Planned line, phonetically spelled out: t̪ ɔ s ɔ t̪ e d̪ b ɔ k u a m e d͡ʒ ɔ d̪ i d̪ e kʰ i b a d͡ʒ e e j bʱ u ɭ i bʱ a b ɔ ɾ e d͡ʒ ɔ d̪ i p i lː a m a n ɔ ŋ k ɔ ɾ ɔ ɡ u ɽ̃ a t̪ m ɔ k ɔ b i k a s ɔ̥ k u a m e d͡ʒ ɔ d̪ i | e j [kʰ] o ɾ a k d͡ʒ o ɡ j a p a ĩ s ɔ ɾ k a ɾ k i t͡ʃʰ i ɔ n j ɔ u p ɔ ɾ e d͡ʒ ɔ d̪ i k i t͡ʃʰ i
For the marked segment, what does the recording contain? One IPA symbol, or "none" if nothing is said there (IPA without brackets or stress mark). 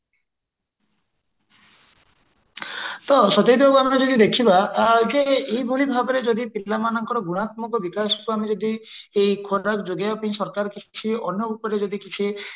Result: kʰ